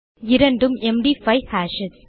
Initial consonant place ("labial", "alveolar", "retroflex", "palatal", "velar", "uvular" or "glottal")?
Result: alveolar